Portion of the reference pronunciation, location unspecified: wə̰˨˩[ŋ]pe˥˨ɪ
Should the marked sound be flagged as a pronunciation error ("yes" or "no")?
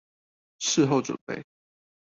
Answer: yes